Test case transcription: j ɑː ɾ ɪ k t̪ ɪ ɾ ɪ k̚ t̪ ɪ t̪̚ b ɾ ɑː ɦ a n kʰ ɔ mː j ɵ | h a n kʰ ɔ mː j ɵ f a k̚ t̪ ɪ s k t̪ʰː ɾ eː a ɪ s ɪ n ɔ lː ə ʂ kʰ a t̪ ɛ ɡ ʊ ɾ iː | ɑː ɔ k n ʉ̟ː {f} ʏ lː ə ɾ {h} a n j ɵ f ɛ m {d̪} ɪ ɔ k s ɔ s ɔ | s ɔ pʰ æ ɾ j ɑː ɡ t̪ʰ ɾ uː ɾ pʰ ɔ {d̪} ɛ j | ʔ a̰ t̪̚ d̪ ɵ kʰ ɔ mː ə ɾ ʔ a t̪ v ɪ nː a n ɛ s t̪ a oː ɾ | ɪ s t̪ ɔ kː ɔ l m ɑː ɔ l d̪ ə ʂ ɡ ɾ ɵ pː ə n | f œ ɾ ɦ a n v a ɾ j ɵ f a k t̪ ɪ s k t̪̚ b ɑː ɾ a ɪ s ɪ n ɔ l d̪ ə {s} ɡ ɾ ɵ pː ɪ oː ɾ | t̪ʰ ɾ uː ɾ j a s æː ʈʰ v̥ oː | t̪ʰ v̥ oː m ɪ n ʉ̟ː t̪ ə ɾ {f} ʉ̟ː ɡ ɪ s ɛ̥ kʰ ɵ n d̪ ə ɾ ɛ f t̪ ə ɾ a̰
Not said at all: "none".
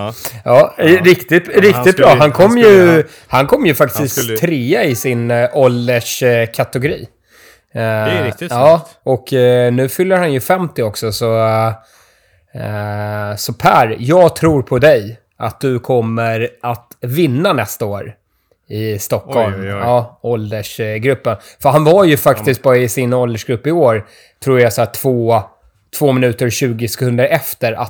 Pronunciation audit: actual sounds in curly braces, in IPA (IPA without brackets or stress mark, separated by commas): f, h, t̪, d̪, ʂ, ɕ